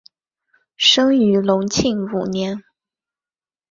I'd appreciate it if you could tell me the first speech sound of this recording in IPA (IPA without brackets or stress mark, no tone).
ʂ